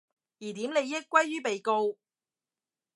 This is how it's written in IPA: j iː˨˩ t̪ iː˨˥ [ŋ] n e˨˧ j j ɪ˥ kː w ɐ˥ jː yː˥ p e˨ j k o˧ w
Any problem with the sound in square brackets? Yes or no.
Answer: yes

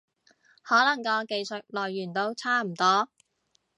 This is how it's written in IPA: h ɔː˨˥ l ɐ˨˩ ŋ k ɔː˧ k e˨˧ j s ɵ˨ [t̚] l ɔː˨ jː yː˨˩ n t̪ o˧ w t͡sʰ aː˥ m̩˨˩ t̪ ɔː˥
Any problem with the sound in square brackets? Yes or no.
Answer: no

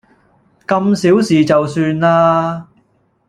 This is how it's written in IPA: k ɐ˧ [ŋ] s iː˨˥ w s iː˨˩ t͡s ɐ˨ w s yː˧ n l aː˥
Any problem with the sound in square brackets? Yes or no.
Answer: yes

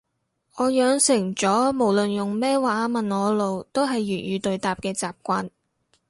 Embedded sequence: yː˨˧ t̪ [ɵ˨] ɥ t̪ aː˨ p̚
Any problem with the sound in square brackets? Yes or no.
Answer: no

